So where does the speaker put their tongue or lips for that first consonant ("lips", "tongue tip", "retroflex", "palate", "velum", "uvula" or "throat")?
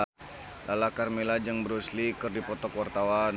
tongue tip